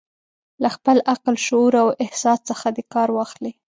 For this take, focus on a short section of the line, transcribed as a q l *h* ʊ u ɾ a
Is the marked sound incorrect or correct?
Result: incorrect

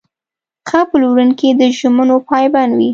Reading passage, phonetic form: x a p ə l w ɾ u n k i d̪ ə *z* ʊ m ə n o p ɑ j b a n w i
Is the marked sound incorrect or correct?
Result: incorrect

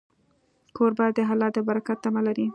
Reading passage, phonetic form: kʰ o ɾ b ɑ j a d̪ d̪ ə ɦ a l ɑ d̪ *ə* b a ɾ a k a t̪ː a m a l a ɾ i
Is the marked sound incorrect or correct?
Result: correct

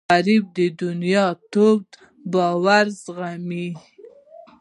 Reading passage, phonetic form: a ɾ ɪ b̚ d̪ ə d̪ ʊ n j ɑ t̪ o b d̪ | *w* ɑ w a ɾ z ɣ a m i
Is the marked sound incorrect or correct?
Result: incorrect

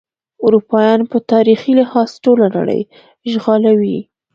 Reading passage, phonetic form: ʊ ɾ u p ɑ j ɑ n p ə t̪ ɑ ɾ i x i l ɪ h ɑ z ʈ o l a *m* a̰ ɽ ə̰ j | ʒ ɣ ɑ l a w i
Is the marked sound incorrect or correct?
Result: incorrect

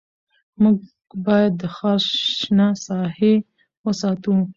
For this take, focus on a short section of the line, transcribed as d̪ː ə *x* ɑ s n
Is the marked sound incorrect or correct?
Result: correct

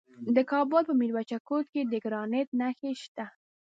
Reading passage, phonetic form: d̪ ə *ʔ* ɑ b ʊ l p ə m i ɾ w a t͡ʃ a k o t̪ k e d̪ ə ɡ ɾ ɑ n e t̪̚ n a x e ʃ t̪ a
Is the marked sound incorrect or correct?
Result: incorrect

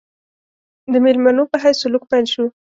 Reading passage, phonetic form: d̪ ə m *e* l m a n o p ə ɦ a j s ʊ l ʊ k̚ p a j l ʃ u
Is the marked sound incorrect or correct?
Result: correct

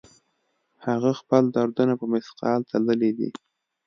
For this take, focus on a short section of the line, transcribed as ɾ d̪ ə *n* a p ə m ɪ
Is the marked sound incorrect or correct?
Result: correct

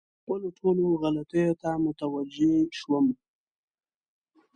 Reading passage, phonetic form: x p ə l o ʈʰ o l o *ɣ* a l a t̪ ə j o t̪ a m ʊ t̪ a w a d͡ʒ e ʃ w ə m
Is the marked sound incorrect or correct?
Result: correct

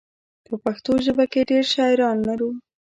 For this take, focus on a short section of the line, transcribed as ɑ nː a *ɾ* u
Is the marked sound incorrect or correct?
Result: correct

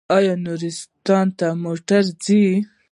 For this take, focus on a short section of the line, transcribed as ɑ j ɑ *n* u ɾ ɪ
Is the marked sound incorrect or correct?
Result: correct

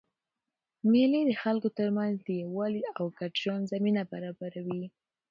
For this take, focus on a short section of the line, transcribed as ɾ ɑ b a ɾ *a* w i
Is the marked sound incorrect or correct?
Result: correct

